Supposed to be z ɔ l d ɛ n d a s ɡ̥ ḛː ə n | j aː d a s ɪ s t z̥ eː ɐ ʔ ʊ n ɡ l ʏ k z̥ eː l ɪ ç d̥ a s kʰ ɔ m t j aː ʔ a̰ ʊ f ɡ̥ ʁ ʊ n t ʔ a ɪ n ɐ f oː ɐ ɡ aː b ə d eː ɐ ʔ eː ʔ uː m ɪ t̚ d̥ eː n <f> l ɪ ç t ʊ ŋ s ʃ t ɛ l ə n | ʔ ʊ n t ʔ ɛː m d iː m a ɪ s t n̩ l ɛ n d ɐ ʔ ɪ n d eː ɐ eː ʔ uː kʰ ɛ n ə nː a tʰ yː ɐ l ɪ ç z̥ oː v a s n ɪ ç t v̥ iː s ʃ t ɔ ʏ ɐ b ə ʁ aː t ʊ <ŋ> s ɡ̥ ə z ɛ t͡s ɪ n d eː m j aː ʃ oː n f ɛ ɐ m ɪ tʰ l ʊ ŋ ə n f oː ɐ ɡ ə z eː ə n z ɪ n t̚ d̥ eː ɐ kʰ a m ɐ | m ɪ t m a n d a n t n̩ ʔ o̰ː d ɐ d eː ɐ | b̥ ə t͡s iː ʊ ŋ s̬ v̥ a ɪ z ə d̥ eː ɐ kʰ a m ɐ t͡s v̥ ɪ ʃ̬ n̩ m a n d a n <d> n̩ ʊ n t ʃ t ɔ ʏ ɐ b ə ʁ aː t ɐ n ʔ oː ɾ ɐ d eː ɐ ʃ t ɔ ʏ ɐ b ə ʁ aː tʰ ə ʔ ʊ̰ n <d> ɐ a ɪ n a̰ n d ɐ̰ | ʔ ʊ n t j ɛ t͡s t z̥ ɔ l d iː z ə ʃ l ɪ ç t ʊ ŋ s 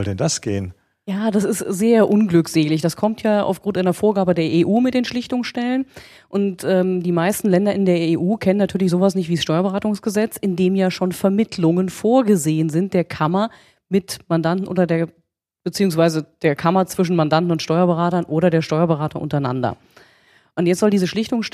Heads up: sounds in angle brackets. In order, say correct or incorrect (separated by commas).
incorrect, correct, incorrect, incorrect